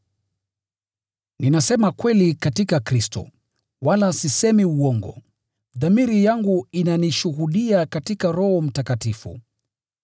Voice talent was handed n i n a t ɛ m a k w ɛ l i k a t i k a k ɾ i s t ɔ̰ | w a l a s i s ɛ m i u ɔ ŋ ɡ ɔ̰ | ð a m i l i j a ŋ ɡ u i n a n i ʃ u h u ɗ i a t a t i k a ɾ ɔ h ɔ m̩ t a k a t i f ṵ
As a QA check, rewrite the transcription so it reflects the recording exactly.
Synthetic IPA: n i n a s ɛ m a k w ɛ l i k a t i k a k ɾ i s t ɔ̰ | w a l a s i s ɛ m i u ɔ ŋ ɡ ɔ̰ | ð a m i ɾ i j a ŋ ɡ u i n a n i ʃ u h u ɗ i a k a t i k a ɾ ɔ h ɔ m̩ t a k a t i f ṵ